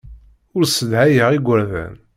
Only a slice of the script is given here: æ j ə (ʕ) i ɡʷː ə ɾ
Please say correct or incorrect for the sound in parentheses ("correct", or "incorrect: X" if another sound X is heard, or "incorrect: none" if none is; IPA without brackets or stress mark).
incorrect: ʁ